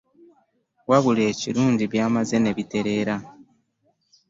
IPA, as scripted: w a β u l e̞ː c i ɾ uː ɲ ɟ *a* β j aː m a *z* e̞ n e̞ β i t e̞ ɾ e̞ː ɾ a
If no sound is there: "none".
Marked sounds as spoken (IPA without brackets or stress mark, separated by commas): i, z